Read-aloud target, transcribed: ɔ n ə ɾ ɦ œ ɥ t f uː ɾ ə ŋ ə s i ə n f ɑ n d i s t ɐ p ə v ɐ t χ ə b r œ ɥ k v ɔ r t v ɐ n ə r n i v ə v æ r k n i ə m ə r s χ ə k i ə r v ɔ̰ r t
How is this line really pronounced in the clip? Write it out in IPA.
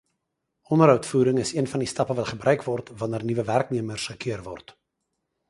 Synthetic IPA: ɔ n ə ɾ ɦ œ ɥ t f uː ɾ ə ŋ ə s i ə n f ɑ n d i s t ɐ p ə v ɐ t χ ə b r œ ɥ k v ɔ r t v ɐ n ə r n i v ə v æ r k n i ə m ə r s χ ə k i ə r v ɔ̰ r t